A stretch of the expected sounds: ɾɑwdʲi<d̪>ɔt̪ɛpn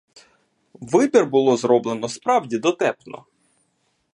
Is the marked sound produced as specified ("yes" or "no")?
yes